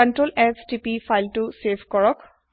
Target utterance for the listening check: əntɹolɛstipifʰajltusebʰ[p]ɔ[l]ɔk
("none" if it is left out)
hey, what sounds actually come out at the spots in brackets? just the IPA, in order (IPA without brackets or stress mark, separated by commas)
k, ɹ